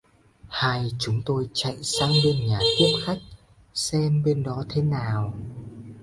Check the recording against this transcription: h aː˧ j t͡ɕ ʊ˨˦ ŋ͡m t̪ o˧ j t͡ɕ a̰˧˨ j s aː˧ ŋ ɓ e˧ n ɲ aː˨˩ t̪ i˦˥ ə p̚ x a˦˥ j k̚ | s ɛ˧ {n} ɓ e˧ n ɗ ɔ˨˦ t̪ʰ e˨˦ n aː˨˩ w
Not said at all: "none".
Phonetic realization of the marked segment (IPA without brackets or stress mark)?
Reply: m